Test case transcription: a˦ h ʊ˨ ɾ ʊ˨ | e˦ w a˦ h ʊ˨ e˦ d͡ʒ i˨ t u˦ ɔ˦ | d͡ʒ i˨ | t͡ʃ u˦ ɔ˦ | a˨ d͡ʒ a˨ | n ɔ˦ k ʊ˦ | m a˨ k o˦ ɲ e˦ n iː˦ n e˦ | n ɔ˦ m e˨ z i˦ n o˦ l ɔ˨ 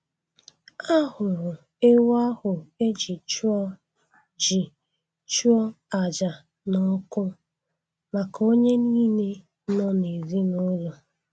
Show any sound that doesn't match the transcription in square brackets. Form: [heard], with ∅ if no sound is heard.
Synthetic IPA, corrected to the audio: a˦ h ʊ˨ ɾ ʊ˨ | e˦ w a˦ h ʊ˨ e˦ d͡ʒ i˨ [t͡ʃ] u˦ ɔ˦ | d͡ʒ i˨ | t͡ʃ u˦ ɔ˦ | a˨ d͡ʒ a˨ | n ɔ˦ k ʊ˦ | m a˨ k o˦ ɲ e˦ n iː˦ n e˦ | n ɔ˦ [n] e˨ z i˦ n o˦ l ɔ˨

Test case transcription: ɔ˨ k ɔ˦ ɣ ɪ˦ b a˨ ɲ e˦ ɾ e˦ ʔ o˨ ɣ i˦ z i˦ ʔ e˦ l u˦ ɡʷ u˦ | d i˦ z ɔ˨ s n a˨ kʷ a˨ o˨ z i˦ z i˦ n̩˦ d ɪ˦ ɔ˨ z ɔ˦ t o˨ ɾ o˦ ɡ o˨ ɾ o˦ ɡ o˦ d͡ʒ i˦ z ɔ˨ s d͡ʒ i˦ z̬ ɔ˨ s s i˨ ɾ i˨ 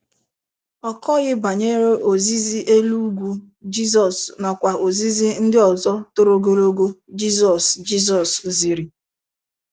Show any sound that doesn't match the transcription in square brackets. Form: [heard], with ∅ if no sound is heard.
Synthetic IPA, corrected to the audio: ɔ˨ k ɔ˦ ɣ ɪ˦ b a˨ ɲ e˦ ɾ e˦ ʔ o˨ [z] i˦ z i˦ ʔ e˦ l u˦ ɡʷ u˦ | [d͡ʒ] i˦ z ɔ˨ s n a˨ kʷ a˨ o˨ z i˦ z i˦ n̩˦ d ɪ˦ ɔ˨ z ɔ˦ t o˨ ɾ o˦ ɡ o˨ ɾ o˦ ɡ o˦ d͡ʒ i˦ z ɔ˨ s d͡ʒ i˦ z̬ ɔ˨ s [z] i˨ ɾ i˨

